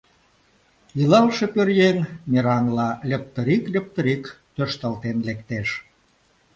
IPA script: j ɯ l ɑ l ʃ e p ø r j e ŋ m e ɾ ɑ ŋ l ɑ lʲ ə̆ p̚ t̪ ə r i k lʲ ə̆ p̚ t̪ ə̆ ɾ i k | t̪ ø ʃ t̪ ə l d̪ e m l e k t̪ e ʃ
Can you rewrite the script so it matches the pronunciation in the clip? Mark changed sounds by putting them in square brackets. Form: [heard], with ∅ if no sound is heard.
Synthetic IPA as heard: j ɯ l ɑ l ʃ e p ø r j e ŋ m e ɾ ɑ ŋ l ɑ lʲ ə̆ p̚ t̪ ə [ɾ] i k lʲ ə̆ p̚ t̪ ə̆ ɾ i k | t̪ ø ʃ t̪ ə l [t̪] e [n] l e k t̪ e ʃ